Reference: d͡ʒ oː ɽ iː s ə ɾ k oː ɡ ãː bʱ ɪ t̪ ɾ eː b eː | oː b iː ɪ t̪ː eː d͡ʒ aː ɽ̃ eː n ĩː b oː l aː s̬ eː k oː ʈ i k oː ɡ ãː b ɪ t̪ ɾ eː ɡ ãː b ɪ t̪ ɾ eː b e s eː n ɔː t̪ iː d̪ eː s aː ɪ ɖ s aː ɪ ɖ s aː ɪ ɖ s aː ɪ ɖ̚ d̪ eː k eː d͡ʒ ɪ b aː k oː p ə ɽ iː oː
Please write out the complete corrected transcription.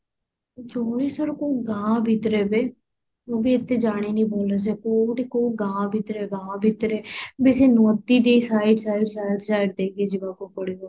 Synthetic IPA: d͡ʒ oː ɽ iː s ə ɾ k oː ɡ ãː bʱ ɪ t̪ ɾ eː b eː | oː b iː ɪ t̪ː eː d͡ʒ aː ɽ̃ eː n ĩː b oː l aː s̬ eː k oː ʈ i k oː ɡ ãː b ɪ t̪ ɾ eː ɡ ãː b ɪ t̪ ɾ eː b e s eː n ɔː t̪ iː d̪ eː s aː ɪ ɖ s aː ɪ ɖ s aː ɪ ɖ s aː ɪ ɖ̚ d̪ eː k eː d͡ʒ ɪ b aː k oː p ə ɽ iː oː